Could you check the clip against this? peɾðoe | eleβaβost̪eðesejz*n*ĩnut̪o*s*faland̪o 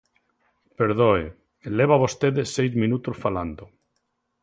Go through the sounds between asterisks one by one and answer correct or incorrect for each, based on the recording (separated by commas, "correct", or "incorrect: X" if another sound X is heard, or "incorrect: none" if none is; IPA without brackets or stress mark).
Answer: incorrect: m, correct